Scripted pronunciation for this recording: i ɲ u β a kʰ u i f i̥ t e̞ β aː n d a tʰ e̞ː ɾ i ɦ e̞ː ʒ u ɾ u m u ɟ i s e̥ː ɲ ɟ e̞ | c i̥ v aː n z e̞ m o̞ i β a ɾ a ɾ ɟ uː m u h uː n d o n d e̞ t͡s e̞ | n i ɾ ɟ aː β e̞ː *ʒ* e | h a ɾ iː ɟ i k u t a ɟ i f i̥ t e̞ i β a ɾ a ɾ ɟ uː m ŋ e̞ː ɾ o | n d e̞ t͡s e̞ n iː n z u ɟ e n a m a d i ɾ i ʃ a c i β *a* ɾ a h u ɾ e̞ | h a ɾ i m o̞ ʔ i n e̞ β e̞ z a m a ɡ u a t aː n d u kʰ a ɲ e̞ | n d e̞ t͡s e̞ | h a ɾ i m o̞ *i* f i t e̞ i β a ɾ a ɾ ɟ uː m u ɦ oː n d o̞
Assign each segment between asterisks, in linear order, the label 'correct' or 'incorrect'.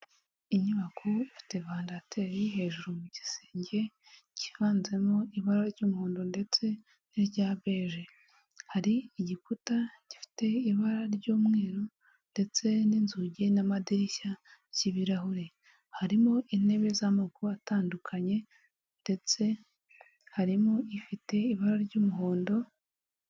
correct, incorrect, correct

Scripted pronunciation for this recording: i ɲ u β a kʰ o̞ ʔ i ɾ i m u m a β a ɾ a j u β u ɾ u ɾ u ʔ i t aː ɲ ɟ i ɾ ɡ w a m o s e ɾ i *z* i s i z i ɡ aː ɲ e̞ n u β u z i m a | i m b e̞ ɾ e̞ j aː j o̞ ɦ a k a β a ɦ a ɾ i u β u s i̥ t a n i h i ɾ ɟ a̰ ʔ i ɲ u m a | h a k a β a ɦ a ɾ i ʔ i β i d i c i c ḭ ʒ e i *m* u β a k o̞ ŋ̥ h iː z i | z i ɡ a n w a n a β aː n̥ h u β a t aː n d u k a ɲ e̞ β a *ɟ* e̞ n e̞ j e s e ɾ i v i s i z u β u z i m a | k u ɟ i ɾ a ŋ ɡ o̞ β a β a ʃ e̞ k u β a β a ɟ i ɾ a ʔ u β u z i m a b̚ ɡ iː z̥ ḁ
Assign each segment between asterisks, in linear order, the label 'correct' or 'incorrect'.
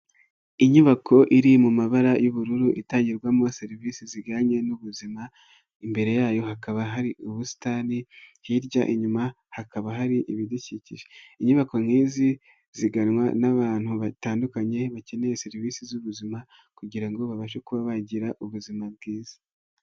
incorrect, incorrect, incorrect

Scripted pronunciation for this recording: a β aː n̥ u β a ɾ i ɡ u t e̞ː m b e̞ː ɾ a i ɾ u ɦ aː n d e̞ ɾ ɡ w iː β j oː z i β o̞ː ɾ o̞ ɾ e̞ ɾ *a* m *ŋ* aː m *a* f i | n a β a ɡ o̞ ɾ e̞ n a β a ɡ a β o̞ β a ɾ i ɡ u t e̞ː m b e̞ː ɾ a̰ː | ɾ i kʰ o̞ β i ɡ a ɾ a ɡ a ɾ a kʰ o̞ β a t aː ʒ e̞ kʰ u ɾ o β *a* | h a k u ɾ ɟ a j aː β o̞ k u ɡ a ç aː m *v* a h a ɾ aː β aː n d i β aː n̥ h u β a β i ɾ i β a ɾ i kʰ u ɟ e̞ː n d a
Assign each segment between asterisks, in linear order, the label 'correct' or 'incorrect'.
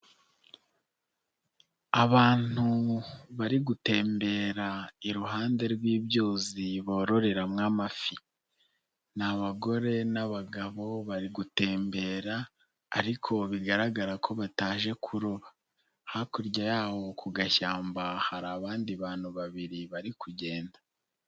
correct, correct, correct, correct, incorrect

